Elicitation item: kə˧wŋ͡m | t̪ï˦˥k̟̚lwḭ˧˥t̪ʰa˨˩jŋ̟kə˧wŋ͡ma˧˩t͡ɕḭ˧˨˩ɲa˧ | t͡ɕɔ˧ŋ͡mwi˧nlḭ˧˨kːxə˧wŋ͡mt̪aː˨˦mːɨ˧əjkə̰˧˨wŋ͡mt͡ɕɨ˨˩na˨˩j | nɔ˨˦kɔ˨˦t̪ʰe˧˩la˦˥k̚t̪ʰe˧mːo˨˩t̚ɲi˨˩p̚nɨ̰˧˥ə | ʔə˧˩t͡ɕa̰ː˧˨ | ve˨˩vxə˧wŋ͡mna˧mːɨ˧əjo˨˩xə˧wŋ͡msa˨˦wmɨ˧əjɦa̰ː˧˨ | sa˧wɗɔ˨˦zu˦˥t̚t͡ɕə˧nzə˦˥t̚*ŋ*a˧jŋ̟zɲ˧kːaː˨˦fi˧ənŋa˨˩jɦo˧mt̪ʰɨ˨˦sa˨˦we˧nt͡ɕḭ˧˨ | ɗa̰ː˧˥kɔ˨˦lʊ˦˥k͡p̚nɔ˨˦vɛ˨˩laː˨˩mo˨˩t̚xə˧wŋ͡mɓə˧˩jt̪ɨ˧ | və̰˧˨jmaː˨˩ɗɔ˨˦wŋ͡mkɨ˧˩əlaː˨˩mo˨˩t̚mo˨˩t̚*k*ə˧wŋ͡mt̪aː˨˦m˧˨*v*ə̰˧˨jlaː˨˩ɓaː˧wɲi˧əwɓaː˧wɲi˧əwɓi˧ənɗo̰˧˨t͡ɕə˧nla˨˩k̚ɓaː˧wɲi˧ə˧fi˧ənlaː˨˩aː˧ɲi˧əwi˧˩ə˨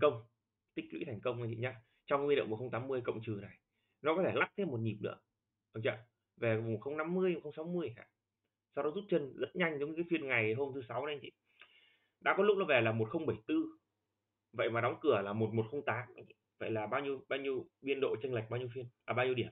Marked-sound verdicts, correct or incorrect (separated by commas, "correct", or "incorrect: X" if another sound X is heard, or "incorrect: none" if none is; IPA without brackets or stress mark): incorrect: ɲ, incorrect: x, correct